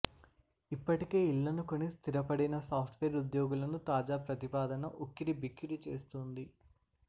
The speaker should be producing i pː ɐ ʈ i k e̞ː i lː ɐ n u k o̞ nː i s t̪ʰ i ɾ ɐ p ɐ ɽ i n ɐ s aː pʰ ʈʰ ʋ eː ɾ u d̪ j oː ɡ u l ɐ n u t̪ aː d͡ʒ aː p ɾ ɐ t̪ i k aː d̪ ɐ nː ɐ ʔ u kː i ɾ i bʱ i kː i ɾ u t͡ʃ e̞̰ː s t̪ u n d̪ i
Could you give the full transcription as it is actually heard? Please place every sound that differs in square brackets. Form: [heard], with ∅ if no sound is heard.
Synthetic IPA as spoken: i pː ɐ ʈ i k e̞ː i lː ɐ n u k o̞ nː i s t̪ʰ i ɾ ɐ p ɐ ɽ i n ɐ s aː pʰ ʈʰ ʋ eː ɾ u d̪ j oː ɡ u l ɐ n u t̪ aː d͡ʒ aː p ɾ ɐ t̪ i [p] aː d̪ ɐ [n] ɐ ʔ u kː i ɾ i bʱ i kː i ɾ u t͡ʃ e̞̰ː s t̪ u n d̪ i